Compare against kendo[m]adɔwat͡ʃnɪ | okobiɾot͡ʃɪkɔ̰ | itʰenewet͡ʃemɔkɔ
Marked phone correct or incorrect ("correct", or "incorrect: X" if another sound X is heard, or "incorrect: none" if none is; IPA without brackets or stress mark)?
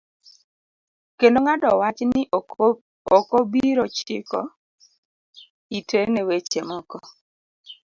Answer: incorrect: ŋ